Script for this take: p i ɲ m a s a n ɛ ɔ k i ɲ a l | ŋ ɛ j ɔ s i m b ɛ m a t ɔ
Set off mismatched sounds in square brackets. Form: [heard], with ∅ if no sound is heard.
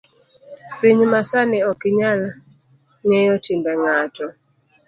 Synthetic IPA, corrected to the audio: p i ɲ m a s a n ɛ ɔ k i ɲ a l | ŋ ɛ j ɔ [t] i m b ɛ [ŋ] a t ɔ